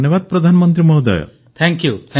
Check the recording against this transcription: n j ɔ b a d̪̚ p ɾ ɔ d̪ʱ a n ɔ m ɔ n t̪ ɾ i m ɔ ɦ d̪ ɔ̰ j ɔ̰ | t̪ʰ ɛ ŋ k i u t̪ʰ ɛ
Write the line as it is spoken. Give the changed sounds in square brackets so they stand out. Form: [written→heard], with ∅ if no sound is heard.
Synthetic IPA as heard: n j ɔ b a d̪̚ p ɾ ɔ d̪ʱ a n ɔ m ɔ n t̪ ɾ i m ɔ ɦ d̪ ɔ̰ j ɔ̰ | t̪ʰ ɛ ŋ k [i→j] u t̪ʰ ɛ